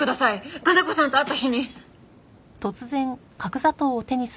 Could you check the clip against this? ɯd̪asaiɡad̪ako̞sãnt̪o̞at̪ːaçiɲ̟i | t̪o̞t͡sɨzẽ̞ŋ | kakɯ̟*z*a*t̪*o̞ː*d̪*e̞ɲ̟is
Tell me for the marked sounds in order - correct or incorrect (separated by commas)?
correct, correct, incorrect